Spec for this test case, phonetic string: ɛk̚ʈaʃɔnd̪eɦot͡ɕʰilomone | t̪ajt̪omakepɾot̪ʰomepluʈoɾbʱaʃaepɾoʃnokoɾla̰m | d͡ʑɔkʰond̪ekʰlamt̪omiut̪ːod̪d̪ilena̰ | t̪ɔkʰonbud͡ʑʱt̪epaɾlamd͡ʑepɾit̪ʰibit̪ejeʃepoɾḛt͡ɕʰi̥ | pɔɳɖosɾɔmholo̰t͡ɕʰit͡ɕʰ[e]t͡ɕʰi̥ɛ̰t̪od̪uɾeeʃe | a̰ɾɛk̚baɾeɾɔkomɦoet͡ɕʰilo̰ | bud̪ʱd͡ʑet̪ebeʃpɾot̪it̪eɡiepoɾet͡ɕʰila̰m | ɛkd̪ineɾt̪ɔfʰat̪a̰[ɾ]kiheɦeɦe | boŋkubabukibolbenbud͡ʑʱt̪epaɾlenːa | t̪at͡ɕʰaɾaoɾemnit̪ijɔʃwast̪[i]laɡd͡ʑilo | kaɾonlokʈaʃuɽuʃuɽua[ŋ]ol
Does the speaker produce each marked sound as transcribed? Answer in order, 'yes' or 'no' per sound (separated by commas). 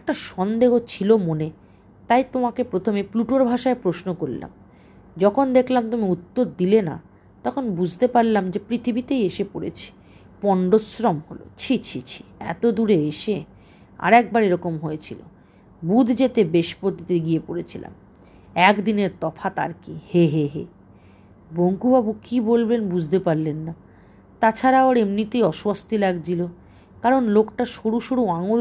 no, yes, yes, yes